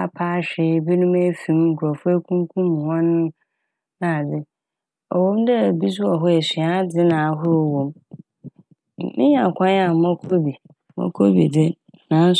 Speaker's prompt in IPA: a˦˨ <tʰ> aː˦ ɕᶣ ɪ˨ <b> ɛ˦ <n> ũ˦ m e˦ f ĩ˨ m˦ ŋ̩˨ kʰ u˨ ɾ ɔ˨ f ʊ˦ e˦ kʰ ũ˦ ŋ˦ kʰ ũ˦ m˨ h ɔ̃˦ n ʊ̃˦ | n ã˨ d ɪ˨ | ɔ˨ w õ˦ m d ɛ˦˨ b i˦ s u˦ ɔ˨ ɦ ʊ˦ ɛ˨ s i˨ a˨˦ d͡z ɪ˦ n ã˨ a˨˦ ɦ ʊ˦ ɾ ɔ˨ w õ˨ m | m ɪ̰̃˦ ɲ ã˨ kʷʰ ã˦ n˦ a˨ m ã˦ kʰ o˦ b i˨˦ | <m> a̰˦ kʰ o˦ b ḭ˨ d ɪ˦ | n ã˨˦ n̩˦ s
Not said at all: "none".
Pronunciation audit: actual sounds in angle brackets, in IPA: pʰ, b, n, m

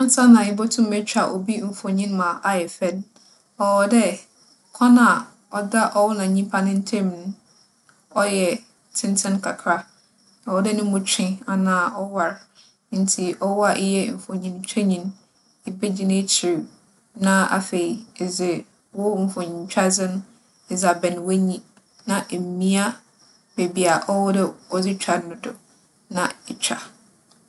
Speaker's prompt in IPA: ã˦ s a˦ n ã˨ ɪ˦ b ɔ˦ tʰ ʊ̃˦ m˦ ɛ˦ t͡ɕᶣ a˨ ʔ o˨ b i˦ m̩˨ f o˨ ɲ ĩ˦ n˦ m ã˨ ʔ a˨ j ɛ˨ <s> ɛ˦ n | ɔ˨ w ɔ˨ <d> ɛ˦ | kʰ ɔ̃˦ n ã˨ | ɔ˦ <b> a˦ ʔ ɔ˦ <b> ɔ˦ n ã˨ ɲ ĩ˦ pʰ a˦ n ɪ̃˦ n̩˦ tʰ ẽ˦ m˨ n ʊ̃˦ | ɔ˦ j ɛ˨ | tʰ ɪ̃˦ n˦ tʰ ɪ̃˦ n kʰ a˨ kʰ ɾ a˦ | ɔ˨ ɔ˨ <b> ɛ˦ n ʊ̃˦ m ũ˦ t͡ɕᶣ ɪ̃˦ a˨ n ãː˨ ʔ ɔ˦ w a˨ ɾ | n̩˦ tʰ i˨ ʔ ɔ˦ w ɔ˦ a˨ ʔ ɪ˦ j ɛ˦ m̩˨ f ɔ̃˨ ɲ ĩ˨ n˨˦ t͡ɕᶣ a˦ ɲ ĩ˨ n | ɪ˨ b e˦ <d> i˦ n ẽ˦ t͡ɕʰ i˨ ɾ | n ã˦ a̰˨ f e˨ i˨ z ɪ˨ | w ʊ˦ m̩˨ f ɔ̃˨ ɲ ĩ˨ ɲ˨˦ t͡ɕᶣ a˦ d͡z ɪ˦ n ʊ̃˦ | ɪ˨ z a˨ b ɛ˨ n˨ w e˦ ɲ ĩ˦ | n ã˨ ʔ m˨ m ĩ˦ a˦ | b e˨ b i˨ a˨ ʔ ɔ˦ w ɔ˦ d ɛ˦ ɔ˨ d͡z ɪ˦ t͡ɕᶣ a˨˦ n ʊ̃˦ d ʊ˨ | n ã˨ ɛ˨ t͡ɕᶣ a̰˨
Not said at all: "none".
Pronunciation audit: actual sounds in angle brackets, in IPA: f, d, d, w, d, d͡ʑ

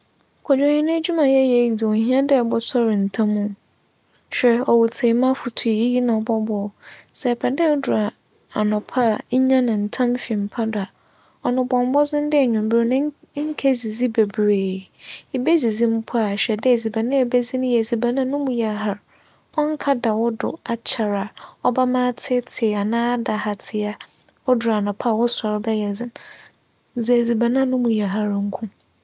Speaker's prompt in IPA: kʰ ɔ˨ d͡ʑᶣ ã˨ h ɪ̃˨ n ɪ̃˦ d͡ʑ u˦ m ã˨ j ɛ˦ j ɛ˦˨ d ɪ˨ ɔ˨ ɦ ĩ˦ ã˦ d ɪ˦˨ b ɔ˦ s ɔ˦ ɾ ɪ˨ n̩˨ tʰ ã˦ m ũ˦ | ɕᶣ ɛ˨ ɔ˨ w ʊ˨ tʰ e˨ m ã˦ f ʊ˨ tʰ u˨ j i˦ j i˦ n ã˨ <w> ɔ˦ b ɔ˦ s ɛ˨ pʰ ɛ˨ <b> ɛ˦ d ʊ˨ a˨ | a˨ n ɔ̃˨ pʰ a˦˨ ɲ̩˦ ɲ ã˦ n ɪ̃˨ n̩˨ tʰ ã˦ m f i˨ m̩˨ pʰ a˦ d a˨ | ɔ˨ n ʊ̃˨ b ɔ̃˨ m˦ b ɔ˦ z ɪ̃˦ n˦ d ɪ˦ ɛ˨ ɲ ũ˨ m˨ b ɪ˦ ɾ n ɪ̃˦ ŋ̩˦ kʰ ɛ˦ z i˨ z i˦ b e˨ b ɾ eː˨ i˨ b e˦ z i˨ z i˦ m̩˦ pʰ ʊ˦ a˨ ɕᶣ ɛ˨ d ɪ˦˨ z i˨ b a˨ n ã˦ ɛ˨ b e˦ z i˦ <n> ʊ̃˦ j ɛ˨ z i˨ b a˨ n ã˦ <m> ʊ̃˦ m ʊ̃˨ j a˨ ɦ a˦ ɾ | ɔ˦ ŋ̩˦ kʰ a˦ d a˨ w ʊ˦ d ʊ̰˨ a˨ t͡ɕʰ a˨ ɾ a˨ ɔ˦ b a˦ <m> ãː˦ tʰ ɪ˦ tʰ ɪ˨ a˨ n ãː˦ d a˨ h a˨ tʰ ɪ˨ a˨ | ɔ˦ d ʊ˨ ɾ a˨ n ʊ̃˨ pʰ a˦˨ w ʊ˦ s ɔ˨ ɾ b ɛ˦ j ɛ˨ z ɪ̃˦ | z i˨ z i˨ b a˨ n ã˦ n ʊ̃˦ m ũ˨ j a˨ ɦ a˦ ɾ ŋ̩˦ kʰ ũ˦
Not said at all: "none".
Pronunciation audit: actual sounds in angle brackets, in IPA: b, d, n, n, m

